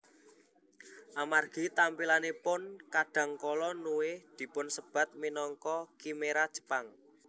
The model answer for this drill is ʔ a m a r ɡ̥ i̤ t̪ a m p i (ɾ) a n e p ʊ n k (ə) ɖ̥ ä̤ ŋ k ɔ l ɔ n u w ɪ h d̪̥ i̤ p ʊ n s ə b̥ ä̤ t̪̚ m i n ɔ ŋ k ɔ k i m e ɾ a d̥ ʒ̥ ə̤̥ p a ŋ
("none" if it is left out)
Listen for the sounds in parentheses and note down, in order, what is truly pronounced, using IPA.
l, a

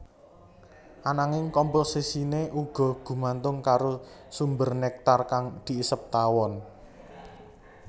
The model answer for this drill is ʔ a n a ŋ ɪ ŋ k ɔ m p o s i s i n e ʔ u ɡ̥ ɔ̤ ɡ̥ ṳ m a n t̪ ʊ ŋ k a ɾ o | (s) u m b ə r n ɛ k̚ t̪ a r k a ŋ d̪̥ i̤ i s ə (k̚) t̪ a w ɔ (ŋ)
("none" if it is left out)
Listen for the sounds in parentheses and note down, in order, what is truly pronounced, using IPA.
s, p̚, n

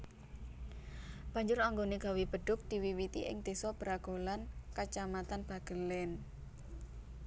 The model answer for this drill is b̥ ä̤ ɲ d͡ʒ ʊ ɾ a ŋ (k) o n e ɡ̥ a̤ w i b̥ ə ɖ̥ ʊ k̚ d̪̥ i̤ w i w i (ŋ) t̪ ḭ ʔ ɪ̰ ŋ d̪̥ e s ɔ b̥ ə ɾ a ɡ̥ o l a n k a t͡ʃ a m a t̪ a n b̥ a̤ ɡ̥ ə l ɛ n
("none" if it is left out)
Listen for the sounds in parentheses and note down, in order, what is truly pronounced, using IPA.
ɡ, none

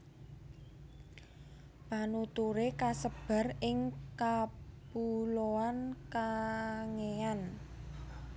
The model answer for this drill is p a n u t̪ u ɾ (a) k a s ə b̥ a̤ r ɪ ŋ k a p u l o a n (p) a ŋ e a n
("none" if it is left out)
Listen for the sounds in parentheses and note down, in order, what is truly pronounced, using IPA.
e, k

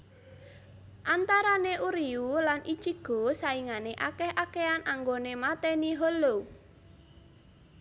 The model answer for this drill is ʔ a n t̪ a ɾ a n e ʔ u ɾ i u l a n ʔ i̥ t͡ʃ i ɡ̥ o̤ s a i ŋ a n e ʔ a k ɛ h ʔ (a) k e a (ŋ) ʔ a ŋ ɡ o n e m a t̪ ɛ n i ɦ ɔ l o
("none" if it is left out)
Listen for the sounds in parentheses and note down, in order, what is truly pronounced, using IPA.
a, n

